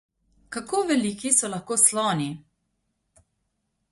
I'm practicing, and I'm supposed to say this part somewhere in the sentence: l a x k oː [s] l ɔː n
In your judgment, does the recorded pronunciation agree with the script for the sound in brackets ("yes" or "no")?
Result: yes